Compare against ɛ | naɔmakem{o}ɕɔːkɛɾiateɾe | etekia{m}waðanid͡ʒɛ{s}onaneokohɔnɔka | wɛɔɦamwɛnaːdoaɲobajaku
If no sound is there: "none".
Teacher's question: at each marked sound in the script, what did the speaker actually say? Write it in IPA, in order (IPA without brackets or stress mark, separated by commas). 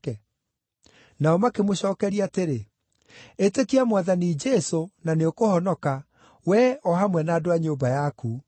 o, m, s